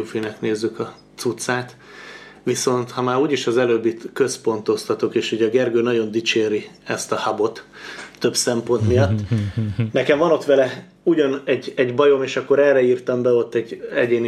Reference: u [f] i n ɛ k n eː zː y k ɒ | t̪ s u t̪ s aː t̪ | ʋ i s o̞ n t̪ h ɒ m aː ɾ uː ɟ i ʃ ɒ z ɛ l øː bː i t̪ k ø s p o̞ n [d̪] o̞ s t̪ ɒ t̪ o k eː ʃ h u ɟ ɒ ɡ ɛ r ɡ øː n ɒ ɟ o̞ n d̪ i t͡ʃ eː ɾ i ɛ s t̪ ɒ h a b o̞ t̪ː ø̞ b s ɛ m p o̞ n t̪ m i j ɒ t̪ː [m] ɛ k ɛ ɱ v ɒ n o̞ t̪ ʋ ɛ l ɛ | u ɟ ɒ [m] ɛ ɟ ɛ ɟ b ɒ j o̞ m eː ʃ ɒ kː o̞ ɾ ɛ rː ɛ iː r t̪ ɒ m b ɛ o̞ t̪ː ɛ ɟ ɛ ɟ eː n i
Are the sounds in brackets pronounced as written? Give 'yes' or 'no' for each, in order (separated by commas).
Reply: yes, no, no, no